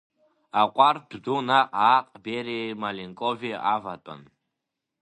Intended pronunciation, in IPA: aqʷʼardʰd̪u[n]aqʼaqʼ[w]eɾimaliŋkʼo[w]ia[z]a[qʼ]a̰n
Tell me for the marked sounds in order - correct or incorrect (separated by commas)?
correct, incorrect, incorrect, incorrect, incorrect